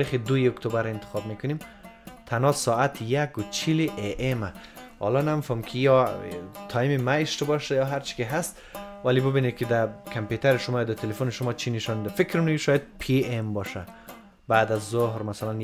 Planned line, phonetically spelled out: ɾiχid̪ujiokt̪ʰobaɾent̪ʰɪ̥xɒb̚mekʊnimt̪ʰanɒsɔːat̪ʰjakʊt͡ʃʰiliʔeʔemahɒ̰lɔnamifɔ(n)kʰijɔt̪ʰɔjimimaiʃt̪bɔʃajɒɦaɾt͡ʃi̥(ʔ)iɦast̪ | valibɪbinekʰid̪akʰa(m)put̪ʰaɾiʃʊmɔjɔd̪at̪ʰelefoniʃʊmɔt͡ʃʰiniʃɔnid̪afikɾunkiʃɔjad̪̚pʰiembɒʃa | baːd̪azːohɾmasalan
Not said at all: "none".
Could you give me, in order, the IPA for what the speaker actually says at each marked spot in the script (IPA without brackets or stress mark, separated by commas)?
m, k, m